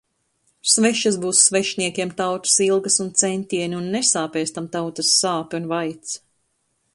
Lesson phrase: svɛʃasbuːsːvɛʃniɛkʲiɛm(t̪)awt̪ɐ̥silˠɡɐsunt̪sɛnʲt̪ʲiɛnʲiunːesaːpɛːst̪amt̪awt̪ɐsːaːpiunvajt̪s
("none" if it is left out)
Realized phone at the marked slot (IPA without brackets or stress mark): t̪